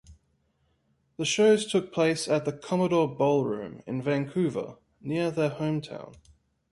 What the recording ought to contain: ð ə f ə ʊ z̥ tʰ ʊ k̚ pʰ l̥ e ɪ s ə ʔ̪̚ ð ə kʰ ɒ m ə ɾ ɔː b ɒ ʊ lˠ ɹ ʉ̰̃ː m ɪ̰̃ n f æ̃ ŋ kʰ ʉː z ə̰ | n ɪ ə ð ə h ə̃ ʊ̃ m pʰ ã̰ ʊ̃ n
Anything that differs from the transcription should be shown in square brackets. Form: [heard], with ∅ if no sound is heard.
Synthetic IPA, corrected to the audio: ð ə [ʃ] ə ʊ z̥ tʰ ʊ k̚ pʰ l̥ e ɪ s ə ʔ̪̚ ð ə kʰ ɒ m ə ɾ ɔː b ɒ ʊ lˠ ɹ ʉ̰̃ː m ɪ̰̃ n [v] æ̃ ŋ kʰ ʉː [v] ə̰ | n ɪ ə ð ə h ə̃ ʊ̃ m [tʰ] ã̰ ʊ̃ n